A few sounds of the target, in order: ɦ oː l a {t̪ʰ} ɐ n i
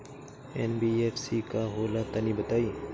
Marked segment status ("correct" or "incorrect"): incorrect